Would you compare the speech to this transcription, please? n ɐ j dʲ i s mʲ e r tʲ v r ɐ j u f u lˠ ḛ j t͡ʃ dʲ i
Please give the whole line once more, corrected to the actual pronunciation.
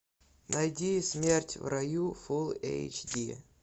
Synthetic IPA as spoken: n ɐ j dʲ i s mʲ e r tʲ v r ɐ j u f u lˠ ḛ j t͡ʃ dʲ i